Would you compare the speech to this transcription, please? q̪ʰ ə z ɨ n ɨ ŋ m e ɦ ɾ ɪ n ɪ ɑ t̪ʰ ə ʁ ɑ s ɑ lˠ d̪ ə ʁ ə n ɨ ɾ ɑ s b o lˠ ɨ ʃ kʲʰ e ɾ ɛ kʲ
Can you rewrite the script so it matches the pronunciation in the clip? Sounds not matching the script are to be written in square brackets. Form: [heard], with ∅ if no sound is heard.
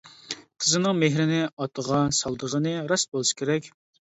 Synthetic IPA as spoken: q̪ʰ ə z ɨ n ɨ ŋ m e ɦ ɾ ɪ n ɪ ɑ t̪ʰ ə ʁ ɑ s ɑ lˠ d̪ ə ʁ ə n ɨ ɾ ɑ s b o lˠ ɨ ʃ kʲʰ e ɾ ɛ kʲ